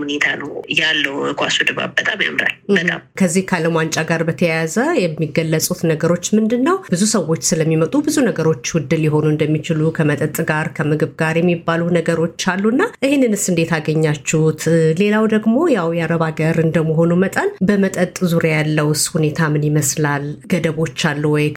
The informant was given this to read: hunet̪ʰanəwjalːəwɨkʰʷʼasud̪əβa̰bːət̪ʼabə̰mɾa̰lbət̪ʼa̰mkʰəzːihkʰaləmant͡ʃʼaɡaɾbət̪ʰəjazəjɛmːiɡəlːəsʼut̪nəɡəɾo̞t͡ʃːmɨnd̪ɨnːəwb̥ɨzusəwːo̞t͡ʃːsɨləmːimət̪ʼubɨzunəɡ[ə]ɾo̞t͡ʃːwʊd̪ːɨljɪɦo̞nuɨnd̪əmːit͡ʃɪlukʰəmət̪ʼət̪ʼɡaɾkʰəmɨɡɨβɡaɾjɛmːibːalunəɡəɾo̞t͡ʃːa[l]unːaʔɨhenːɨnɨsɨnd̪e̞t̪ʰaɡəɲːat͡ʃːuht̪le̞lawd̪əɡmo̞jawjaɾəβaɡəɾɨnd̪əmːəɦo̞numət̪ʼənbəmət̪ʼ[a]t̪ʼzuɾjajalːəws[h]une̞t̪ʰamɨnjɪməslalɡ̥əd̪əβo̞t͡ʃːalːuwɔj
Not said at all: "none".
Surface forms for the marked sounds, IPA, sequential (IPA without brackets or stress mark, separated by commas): ə, lː, ə, h